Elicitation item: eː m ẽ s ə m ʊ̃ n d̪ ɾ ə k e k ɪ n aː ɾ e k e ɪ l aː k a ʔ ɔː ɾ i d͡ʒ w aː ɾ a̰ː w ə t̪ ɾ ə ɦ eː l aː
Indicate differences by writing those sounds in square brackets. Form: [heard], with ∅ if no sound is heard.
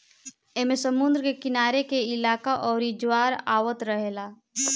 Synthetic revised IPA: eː m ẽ s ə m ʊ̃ n d̪ ɾ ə k e k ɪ n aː ɾ e k e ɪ l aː k a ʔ ɔː ɾ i d͡ʒ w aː ɾ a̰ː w ə t̪ ɾ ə ɦ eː l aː